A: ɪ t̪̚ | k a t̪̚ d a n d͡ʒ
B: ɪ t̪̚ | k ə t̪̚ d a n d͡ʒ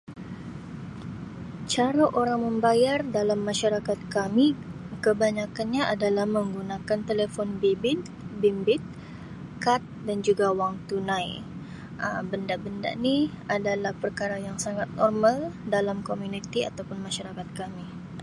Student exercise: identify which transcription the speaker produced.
A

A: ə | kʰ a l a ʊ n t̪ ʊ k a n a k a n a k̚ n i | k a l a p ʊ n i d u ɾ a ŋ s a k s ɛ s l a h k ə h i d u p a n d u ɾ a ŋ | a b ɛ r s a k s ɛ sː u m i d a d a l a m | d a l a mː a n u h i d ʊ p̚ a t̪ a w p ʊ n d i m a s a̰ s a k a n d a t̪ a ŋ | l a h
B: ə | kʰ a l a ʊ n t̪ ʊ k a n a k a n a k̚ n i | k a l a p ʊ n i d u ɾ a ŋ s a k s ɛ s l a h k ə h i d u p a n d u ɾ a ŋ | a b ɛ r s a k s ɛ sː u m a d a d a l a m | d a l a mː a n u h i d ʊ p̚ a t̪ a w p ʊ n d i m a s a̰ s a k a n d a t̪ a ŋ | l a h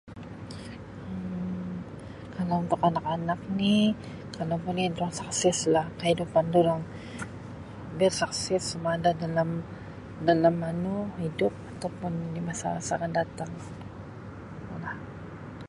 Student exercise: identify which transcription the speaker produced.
B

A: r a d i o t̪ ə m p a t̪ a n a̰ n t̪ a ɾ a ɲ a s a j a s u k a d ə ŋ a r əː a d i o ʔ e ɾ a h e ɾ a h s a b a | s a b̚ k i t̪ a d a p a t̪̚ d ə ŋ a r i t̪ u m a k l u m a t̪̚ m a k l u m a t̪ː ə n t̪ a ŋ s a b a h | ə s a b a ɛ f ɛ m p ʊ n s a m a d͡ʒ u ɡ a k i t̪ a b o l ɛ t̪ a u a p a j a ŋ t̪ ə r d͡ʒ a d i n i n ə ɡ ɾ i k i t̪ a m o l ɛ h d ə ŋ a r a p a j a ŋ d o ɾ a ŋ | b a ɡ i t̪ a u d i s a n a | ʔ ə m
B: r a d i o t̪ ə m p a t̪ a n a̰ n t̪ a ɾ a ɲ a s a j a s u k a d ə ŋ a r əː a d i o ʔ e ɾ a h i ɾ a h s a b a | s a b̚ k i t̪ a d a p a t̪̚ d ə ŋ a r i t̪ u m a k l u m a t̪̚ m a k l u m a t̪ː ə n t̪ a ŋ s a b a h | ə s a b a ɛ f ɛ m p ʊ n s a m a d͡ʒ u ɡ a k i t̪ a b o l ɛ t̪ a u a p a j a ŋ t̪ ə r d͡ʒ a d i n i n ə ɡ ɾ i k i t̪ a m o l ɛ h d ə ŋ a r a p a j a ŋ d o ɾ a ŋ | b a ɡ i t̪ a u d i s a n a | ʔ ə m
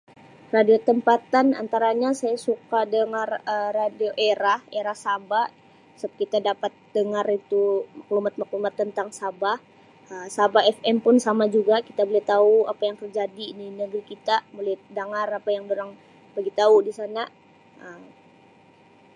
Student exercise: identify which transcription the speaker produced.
A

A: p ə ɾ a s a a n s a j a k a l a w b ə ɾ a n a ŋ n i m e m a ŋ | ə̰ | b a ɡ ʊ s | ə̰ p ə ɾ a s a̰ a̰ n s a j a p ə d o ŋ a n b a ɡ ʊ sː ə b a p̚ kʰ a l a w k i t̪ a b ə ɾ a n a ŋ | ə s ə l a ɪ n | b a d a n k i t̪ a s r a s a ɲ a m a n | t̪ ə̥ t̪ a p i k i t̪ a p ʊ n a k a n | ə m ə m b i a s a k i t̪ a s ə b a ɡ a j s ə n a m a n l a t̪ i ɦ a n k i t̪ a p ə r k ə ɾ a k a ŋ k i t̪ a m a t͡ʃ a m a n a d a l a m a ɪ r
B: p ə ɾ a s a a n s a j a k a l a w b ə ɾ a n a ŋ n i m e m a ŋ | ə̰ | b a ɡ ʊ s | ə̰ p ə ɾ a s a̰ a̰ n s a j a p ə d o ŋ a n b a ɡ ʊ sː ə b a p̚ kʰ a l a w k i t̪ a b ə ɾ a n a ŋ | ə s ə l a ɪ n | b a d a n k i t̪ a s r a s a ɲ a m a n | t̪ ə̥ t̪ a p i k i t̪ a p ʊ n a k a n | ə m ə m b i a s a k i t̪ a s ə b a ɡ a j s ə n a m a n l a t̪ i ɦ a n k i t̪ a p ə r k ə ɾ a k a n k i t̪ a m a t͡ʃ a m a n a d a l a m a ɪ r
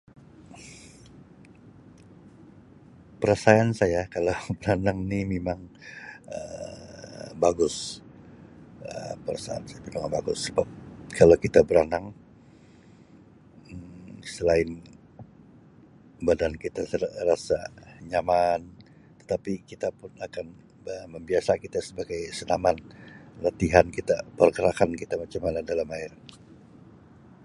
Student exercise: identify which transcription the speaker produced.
B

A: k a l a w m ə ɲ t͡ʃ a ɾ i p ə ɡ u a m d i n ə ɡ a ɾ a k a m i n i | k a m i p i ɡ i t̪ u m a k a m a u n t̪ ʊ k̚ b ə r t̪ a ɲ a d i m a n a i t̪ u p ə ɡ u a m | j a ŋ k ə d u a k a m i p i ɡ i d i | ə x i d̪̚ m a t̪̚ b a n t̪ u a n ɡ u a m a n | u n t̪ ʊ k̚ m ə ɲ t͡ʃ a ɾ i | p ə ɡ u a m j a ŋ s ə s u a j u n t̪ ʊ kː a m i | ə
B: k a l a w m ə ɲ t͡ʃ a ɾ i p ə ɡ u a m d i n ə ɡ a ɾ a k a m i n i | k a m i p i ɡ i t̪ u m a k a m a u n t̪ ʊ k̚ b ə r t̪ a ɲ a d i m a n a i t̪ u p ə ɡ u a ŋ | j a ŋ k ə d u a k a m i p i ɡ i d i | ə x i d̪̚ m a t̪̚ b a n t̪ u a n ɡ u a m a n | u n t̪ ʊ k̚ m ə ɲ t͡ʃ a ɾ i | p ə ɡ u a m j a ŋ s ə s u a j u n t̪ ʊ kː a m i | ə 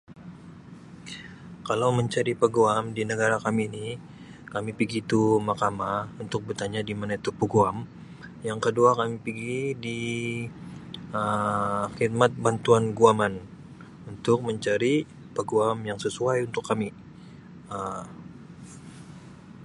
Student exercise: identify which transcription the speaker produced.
A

